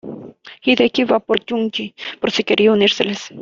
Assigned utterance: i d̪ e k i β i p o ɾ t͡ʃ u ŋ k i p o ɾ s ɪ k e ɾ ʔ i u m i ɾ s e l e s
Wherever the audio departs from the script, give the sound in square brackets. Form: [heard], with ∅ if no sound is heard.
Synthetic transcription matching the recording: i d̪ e k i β [a] p o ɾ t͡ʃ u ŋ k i p o ɾ s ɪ k e ɾ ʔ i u [n] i ɾ s e l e s